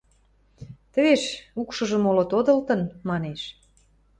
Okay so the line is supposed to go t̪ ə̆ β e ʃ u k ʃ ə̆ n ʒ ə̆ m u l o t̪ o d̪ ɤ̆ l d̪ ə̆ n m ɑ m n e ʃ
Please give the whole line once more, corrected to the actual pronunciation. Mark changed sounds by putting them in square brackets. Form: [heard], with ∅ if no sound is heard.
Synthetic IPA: t̪ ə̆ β e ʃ u k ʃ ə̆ [∅] ʒ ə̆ m [o] l o t̪ o d̪ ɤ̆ l [t̪] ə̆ n m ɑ [∅] n e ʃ

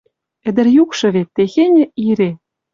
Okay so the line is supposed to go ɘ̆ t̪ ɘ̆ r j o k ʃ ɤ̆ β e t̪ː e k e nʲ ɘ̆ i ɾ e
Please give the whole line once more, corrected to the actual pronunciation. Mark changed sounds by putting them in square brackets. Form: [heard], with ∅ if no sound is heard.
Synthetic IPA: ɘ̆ [d̪] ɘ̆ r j [u] k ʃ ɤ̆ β e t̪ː e [x] e nʲ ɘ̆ i ɾ e

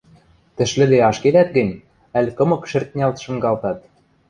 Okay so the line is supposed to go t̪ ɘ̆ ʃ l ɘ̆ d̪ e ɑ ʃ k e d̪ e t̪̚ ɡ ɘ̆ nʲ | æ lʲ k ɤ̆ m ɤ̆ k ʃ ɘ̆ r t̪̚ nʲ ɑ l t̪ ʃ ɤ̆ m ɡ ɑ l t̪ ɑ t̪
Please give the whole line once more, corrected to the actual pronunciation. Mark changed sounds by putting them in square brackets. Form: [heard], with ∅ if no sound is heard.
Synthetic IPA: t̪ ɘ̆ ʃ l ɘ̆ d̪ e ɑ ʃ k e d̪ [æ] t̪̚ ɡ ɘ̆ nʲ | æ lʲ k ɤ̆ m ɤ̆ k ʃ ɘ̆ r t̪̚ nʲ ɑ l t̪ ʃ ɤ̆ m ɡ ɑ l t̪ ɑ t̪

